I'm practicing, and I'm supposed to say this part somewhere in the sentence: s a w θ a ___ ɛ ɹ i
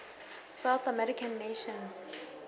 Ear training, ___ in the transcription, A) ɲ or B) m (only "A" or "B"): B